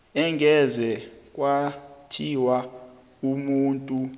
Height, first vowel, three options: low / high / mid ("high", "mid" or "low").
mid